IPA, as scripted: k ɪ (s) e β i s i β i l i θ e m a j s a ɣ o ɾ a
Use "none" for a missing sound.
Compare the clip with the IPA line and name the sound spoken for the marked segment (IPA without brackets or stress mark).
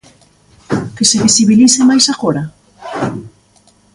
s